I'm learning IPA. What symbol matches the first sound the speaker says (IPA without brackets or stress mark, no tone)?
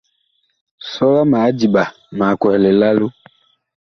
s